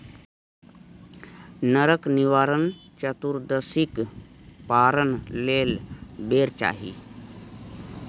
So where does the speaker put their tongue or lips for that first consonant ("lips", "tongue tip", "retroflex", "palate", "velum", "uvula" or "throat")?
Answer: tongue tip